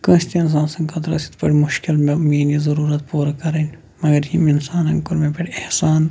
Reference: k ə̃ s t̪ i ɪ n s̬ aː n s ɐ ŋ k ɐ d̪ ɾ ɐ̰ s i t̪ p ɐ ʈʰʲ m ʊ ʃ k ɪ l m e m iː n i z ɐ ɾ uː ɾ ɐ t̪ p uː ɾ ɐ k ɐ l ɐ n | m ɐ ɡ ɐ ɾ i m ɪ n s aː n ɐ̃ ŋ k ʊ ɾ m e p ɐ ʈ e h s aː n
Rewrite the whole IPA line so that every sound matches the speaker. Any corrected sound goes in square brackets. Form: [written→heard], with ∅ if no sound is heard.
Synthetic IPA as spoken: k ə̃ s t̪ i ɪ n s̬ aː n s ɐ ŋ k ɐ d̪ ɾ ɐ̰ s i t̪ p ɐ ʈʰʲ m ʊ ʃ k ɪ l m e m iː n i z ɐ ɾ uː ɾ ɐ t̪ p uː ɾ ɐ k ɐ [l→ɾ] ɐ n | m ɐ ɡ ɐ ɾ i m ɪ n s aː n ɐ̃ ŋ k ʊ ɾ m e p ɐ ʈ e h s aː n

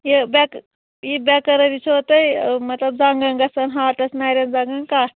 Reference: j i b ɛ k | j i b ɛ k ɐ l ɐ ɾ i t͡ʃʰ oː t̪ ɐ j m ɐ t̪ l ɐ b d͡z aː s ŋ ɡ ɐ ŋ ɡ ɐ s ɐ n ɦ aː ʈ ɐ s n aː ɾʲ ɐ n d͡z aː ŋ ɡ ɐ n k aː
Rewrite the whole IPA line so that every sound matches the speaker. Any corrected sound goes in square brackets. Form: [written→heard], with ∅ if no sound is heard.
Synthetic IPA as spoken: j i b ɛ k | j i b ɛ k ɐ [l→ɾ] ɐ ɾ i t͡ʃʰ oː t̪ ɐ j m ɐ t̪ l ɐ b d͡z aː [s→∅] ŋ ɡ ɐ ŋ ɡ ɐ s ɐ n ɦ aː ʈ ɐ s n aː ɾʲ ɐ n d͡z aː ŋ ɡ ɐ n k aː

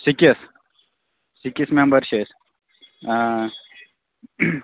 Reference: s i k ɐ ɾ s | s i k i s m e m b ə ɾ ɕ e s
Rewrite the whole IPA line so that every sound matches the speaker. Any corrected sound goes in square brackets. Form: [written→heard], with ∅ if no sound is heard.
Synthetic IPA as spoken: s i k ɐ [ɾ→∅] s | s i k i s m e m b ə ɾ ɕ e s

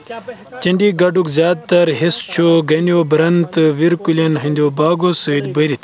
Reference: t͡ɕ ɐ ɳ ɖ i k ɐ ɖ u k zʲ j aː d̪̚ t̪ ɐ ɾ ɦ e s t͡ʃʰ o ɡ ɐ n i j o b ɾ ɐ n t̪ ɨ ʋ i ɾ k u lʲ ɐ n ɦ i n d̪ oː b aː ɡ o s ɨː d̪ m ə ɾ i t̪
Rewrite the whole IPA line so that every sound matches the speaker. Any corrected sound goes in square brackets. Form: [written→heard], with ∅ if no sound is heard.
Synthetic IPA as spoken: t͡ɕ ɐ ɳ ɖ i [k→ɡ] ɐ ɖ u k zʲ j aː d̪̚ t̪ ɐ ɾ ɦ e s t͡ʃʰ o ɡ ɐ n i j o b ɾ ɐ n t̪ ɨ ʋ i ɾ k u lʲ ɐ n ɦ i n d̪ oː b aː ɡ o s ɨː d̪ [m→b] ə ɾ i t̪

